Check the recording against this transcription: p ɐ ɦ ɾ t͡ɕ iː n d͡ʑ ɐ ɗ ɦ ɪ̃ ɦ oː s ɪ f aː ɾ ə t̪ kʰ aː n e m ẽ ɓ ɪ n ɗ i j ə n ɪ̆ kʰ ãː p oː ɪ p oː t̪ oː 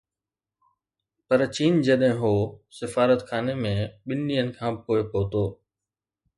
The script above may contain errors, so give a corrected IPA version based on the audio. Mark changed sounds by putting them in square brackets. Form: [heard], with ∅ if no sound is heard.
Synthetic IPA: p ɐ [∅] ɾ t͡ɕ iː n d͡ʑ ɐ ɗ ɦ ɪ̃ ɦ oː s ɪ f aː ɾ ə t̪ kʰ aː n e m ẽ ɓ ɪ n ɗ i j ə n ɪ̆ kʰ ãː p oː ɪ p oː t̪ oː